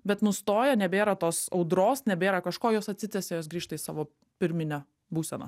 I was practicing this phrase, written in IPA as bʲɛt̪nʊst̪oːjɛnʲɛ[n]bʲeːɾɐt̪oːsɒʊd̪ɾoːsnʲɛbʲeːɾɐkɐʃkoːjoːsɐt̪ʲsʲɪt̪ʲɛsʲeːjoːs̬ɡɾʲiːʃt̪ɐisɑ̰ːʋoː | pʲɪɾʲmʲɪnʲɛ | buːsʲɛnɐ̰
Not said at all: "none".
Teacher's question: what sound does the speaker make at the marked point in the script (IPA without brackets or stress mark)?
none